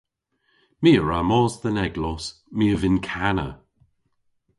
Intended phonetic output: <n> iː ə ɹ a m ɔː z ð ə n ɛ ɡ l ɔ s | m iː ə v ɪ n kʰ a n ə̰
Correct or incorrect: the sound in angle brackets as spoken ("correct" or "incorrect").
incorrect